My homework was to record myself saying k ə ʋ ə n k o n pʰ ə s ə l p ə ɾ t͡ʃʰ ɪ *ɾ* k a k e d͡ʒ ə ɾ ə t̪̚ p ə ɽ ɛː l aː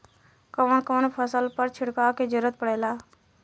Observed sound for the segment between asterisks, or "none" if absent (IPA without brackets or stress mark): ɽ